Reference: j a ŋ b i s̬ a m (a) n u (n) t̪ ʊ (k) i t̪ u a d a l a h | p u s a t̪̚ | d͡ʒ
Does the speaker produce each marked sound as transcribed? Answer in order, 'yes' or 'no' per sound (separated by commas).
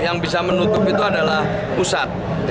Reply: no, no, no